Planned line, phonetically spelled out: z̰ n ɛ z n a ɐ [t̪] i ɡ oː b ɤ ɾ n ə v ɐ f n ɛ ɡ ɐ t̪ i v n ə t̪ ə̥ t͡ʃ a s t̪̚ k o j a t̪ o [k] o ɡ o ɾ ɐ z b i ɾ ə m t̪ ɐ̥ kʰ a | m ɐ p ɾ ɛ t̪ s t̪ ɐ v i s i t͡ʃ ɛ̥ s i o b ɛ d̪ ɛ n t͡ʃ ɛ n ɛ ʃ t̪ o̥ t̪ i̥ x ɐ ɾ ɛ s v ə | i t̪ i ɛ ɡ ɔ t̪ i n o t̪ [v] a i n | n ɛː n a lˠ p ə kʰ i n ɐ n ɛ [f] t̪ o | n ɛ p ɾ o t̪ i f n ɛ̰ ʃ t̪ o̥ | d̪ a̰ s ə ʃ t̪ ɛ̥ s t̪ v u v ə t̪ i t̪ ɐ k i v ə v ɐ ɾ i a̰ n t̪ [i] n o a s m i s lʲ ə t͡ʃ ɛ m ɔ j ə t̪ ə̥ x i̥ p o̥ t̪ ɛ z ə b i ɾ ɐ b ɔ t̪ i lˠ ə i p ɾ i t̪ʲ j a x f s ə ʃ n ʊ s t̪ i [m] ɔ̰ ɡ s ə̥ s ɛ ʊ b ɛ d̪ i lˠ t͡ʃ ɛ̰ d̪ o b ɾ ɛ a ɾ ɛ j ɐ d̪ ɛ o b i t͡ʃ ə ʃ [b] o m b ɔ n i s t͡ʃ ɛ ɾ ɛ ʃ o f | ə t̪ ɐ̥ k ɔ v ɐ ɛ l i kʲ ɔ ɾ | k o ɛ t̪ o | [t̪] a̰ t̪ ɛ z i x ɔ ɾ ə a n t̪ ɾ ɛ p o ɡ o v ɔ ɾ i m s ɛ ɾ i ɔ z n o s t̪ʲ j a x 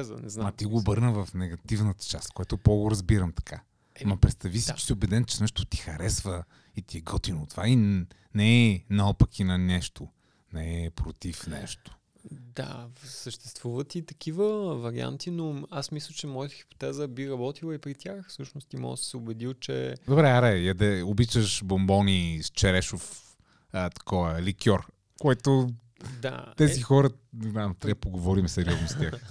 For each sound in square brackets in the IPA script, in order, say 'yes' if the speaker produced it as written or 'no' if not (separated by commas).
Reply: yes, no, yes, no, yes, yes, yes, no